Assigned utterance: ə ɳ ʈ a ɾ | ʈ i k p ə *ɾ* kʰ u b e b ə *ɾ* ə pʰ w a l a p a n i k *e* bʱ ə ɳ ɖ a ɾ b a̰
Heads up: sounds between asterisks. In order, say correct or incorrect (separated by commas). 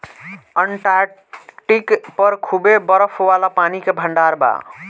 correct, correct, correct